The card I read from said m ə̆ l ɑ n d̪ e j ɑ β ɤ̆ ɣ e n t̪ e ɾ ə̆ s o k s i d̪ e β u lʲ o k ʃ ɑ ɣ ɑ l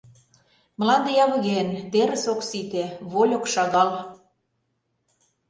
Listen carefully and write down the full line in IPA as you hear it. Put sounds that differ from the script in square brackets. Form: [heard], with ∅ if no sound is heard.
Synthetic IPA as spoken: m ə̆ l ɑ n d̪ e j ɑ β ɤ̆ ɣ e n t̪ e ɾ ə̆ s o k s i [t̪] e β [o] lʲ o k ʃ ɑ ɣ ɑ l